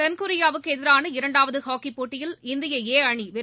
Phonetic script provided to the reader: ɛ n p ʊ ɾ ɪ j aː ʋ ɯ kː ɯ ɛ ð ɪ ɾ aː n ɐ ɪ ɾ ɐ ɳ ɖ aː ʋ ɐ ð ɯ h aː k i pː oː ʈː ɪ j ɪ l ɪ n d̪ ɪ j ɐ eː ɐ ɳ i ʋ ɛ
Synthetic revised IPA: ɛ n k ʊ ɾ ɪ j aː ʋ ɯ kː ɯ ɛ ð ɪ ɾ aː n ɐ ɪ ɾ ɐ ɳ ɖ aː ʋ ɐ ð ɯ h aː k i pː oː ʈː ɪ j ɪ l ɪ n d̪ ɪ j ɐ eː ɐ ɳ i ʋ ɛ